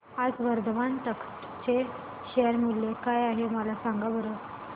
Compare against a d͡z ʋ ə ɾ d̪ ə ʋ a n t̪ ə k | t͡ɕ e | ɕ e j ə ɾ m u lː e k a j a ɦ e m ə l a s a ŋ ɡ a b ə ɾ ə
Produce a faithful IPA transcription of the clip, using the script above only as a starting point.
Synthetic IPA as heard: a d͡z ʋ ə ɾ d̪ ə ʋ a n t̪ ə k | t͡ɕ e | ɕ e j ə ɾ m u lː e k a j a ɦ e m ə l a s a ŋ ɡ a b ə ɾ ə